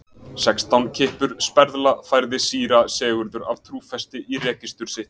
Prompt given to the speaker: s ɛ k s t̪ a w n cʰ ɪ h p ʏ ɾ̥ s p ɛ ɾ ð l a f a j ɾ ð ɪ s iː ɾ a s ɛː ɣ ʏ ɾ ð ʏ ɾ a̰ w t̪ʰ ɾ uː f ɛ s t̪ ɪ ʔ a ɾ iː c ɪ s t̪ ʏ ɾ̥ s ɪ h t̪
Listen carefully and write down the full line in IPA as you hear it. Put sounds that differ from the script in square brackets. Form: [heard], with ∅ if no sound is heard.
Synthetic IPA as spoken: s ɛ k s t̪ a w n cʰ ɪ h p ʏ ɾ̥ s p ɛ ɾ ð l a f a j ɾ ð ɪ s iː ɾ a s ɛː ɣ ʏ ɾ ð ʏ ɾ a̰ [v] t̪ʰ ɾ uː f ɛ s t̪ ɪ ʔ [i] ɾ [ɛː] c ɪ s t̪ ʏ ɾ̥ s ɪ h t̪